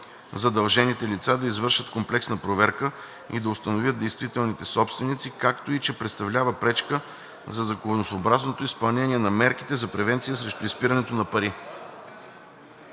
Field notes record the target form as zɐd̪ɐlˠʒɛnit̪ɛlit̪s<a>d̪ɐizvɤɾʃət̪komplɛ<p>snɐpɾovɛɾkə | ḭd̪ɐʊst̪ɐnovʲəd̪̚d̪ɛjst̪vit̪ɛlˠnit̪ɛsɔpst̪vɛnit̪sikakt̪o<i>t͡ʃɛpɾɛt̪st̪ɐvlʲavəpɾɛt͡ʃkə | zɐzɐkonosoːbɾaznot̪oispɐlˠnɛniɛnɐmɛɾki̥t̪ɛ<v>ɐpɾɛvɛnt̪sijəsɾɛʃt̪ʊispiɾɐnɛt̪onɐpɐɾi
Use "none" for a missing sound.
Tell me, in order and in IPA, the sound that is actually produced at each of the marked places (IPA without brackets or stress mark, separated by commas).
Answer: a, k, i, z